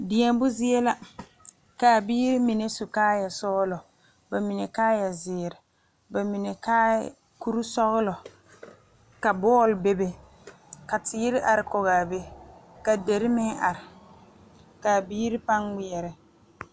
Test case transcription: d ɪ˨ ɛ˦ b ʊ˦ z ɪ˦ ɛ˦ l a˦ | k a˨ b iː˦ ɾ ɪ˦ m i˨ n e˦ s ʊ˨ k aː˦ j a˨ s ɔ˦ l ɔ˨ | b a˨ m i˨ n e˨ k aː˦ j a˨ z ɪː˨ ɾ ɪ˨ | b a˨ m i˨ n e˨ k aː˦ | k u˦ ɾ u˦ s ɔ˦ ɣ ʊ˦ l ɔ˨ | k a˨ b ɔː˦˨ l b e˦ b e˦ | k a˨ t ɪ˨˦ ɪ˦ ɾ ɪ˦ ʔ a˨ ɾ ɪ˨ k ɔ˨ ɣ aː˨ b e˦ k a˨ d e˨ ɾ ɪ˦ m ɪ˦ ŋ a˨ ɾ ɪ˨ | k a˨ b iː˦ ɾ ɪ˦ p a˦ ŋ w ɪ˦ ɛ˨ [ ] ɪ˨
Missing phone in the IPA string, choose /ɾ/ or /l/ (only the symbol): ɾ